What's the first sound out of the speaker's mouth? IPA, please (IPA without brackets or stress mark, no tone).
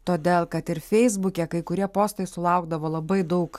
t̪